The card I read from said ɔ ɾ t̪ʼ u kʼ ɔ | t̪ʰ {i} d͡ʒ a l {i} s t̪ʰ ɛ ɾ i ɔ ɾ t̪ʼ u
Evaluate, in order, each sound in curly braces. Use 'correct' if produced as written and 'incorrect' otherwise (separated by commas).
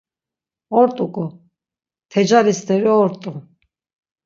incorrect, correct